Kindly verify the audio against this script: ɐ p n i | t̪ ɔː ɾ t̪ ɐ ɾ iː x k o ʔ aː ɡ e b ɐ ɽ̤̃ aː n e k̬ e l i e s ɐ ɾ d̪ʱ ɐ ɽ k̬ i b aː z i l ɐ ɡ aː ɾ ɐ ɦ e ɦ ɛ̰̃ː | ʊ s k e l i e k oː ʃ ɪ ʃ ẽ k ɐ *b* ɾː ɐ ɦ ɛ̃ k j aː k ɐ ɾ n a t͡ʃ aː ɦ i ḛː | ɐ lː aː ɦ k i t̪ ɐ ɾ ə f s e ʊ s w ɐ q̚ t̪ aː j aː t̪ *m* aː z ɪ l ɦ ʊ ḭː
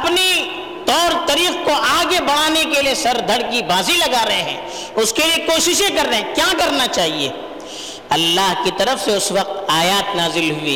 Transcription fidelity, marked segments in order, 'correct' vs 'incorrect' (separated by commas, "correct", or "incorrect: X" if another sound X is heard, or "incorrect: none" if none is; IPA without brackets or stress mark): incorrect: none, incorrect: n